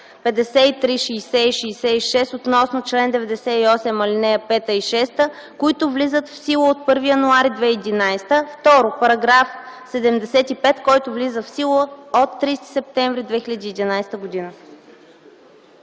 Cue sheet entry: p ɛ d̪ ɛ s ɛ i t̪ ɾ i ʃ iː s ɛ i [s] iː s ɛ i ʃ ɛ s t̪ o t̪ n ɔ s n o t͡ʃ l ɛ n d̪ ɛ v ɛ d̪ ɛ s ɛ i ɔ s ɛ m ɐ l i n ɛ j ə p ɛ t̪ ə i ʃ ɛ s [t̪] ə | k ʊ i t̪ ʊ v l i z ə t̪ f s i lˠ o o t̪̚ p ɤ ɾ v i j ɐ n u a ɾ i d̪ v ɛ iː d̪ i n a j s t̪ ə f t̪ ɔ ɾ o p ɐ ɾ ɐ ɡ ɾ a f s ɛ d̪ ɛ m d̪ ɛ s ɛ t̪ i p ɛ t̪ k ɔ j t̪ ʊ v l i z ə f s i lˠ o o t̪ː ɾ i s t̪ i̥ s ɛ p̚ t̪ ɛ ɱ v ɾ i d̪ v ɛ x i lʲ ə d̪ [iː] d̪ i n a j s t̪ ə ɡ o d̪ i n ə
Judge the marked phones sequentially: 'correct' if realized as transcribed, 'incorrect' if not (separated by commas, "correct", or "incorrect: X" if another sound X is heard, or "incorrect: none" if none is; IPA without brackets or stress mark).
incorrect: ʃ, correct, correct